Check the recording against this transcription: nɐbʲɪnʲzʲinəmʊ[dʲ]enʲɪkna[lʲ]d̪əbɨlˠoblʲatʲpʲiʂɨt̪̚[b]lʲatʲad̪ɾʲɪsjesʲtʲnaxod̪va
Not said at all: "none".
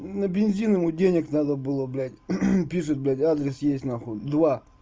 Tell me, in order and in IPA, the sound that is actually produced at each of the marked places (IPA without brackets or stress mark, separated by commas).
dʲ, none, b